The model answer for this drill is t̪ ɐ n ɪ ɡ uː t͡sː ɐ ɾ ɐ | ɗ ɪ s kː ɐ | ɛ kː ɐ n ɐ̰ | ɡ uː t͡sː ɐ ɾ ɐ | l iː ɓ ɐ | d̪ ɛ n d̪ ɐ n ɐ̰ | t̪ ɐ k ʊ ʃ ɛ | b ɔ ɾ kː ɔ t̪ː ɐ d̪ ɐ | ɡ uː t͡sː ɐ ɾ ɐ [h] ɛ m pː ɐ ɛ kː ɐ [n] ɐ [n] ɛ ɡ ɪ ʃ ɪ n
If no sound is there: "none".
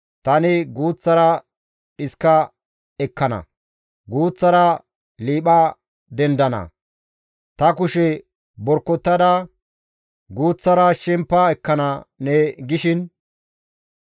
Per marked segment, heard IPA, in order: ʃ, n, n

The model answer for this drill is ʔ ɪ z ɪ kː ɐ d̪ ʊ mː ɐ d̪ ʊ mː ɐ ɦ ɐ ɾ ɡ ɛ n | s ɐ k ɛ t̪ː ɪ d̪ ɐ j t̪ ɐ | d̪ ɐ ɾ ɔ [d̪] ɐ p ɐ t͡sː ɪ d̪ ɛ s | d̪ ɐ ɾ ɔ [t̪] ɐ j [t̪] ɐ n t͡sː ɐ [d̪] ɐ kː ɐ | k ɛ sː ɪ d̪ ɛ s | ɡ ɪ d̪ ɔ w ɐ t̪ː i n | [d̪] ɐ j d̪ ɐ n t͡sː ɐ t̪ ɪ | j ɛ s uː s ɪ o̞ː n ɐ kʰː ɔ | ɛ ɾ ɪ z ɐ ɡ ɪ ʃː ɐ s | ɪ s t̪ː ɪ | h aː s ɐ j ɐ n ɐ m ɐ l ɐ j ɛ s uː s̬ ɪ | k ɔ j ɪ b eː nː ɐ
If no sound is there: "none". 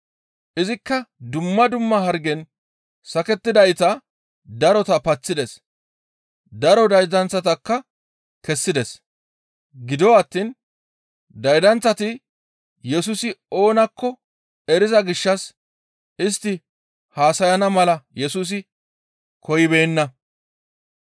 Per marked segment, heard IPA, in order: t̪, d̪, d̪, t̪, d̪

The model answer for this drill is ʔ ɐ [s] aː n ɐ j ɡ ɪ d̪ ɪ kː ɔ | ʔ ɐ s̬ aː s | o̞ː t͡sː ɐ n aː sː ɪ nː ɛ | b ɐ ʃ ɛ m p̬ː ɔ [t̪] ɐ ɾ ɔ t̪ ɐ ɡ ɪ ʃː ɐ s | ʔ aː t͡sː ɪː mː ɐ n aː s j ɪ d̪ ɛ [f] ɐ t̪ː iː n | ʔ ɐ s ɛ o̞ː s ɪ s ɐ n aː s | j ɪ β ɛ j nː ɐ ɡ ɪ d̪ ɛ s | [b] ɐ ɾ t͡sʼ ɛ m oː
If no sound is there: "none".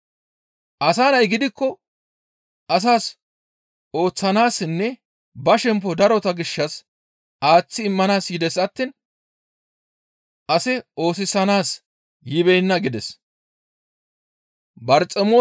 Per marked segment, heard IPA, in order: s, d̪, s, b

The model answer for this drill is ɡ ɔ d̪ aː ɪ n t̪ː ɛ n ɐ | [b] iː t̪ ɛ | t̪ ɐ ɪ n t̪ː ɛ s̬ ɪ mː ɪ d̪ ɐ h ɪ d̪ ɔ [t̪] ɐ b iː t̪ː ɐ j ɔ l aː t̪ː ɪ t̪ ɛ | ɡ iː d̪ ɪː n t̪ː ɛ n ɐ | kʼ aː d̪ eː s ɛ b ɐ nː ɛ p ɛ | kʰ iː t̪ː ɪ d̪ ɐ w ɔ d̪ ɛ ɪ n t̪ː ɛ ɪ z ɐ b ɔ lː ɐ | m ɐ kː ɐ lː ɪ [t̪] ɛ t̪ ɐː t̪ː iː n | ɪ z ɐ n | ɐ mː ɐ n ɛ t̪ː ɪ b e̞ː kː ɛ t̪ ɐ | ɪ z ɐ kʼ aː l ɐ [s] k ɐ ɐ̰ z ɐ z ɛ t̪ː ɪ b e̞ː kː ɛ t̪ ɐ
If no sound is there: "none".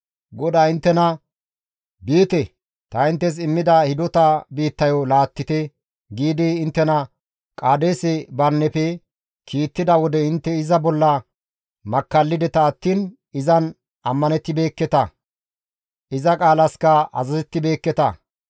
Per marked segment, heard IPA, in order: b, t̪, d̪, s

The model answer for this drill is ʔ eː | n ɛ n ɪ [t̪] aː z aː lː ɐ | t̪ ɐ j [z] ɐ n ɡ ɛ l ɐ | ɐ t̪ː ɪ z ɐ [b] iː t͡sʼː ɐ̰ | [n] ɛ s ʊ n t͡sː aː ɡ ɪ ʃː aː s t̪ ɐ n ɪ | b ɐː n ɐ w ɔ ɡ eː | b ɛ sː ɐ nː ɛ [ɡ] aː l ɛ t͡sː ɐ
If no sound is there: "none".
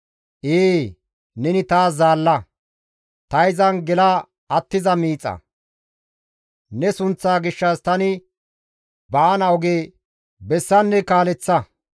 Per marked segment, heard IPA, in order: t̪, z, m, n, k

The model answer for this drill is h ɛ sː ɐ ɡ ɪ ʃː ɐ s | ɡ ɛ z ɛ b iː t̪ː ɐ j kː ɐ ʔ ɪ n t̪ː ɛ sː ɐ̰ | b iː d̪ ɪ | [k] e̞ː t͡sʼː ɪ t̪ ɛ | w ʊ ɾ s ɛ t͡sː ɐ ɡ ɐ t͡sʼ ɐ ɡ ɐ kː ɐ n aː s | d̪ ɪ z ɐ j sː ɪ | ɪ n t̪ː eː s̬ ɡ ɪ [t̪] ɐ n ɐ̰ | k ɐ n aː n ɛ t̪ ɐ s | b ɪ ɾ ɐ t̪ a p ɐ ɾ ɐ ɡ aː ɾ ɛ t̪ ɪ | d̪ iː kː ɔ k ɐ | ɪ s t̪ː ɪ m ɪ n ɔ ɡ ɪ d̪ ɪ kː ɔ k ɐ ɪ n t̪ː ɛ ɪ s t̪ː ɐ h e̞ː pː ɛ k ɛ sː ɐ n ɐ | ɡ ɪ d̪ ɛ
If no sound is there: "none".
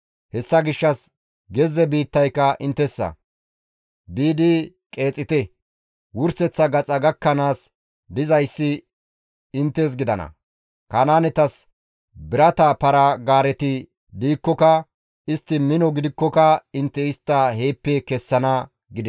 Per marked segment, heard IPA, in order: kʼ, d̪

